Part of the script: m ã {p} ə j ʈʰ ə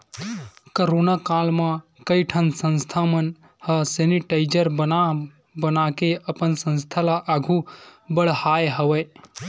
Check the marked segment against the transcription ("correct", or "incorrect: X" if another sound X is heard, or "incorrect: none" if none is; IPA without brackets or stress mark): incorrect: k